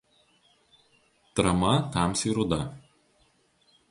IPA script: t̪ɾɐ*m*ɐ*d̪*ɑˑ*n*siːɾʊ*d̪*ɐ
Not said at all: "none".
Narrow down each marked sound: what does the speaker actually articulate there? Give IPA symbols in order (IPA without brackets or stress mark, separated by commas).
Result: m, t̪, m, d̪